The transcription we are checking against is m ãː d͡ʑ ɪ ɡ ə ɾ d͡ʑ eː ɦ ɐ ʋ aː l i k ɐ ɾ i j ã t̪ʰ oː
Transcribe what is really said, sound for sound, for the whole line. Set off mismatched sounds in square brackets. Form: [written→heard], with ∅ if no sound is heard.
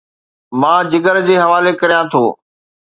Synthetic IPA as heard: m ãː d͡ʑ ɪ ɡ ə ɾ d͡ʑ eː ɦ ɐ ʋ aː l [i→e] k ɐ ɾ i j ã t̪ʰ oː